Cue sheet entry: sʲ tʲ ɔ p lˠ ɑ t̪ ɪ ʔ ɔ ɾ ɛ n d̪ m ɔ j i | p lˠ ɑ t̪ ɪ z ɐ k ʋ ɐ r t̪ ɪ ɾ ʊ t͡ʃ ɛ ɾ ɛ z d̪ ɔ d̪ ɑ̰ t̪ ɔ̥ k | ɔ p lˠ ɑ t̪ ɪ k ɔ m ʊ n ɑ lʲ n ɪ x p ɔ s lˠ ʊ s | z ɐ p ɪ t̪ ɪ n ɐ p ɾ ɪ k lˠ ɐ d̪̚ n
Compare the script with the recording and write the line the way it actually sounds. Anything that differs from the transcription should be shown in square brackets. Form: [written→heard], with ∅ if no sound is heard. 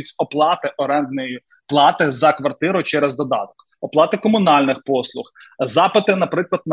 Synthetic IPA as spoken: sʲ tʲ ɔ p lˠ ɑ t̪ ɪ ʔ ɔ ɾ ɛ n d̪ [m→n] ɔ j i | p lˠ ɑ t̪ ɪ z ɐ k ʋ ɐ r t̪ ɪ ɾ ʊ t͡ʃ ɛ ɾ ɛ z d̪ ɔ d̪ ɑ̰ t̪ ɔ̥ k | ɔ p lˠ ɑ t̪ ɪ k ɔ m ʊ n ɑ lʲ n ɪ x p ɔ s lˠ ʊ [s→x] | z [ɐ→ɑ] p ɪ t̪ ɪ n ɐ p ɾ ɪ k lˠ ɐ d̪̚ n